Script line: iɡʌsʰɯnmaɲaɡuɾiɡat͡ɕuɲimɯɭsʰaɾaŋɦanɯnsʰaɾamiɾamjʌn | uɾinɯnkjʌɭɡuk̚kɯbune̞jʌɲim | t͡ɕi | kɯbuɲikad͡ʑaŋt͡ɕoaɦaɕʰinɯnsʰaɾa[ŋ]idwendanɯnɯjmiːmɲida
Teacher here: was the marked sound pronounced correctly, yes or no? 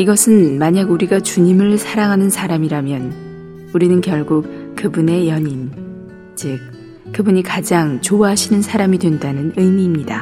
no